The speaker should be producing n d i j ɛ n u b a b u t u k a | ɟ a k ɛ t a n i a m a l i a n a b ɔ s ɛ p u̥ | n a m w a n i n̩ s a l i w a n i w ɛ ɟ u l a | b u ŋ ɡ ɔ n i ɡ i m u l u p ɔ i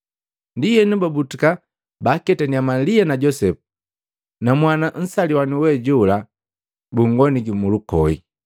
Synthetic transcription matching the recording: n d i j ɛ n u b a b u t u k a | b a k ɛ t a n i a m a l i a n a ɟ ɔ s ɛ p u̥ | n a m w a n a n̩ s a l i w a n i w ɛ ɟ u l a | b u ŋ ɡ ɔ n i ɡ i m u l u k ɔ i